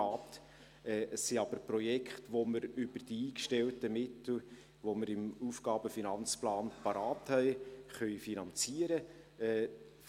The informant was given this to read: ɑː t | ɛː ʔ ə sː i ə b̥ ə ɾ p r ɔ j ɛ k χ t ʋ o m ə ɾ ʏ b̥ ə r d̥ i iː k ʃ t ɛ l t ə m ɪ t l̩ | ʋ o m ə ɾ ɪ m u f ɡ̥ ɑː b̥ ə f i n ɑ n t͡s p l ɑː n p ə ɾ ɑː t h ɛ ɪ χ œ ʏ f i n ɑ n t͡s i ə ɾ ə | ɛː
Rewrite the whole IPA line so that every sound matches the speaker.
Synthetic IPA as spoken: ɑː t | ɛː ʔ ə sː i ɑ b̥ ə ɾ p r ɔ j ɛ k χ t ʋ o m ə ɾ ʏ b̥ ə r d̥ i iː k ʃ t ɛ l t ə m ɪ t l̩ | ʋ o m ə ɾ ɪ m u f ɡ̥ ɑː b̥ ə f i n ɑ n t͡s p l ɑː n p ɑ ɾ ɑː t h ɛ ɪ χ œ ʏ f i n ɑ n t͡s i ə ɾ ə | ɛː